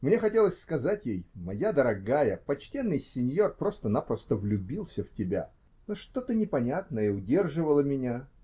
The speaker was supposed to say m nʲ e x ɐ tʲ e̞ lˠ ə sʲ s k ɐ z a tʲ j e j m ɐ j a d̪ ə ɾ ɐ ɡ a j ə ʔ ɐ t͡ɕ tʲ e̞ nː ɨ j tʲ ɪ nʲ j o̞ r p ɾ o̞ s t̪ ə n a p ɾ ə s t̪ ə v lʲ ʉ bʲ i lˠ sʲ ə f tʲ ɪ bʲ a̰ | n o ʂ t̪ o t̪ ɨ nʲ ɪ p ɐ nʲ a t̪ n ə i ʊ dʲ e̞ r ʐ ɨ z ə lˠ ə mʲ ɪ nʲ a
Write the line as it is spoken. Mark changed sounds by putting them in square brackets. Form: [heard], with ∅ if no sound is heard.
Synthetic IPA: m nʲ e x ɐ tʲ e̞ lˠ ə sʲ s k ɐ z a tʲ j e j m ɐ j a d̪ ə ɾ ɐ ɡ a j ə [p] ɐ t͡ɕ tʲ e̞ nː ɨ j [sʲ] ɪ nʲ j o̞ r p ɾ o̞ s t̪ ə n a p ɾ ə s t̪ ə v lʲ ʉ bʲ i lˠ sʲ ə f tʲ ɪ bʲ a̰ | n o ʂ t̪ o t̪ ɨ nʲ ɪ p ɐ nʲ a t̪ n ə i ʊ dʲ e̞ r ʐ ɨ [v] ə lˠ ə mʲ ɪ nʲ a